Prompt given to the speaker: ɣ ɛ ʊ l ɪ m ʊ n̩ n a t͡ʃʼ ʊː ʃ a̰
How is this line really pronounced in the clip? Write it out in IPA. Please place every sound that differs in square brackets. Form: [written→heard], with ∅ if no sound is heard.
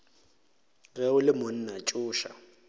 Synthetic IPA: ɣ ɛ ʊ l ɪ m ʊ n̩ n a t͡ʃʼ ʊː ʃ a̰